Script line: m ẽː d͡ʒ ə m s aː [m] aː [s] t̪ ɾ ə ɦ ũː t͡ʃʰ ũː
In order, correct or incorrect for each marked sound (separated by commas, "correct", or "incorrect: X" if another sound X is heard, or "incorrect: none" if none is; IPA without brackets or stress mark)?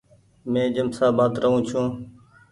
incorrect: b, incorrect: none